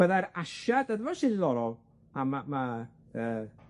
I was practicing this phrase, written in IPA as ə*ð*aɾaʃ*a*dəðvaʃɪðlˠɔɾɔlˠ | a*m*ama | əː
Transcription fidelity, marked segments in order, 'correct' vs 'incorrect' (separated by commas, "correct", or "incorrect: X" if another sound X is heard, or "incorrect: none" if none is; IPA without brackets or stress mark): correct, correct, correct